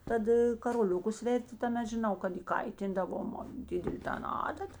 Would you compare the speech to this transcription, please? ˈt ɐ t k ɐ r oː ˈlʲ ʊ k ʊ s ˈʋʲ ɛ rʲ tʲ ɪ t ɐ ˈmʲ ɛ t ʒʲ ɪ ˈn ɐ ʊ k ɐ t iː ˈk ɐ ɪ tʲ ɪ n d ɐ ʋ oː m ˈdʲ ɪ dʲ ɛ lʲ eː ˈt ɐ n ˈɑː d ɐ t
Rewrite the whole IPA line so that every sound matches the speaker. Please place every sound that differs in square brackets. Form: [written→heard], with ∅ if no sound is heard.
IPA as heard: ˈt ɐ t k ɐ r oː ˈlʲ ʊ k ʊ s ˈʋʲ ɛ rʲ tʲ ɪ t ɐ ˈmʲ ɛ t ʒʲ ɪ ˈn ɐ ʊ k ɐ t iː ˈk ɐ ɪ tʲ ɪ n d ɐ ʋ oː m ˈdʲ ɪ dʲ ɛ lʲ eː ˈt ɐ n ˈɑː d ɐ t